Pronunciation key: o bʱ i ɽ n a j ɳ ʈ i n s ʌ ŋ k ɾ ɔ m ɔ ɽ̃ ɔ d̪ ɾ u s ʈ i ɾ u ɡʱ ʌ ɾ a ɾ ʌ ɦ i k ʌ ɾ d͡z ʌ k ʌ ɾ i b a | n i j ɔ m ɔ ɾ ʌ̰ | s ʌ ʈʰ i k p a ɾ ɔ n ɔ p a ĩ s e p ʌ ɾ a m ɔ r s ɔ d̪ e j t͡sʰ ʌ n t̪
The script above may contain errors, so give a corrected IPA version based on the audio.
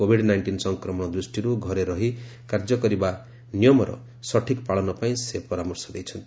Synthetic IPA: o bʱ i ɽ n a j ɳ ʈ i n s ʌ ŋ k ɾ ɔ m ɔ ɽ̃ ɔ d̪ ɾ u s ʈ i ɾ u ɡʱ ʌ ɾ e ɾ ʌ ɦ i k a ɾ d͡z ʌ k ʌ ɾ i b a | n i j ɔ m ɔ ɾ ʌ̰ | s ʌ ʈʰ i k p a ɭ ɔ n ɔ p a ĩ s e p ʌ ɾ a m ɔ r s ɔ d̪ e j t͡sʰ ʌ n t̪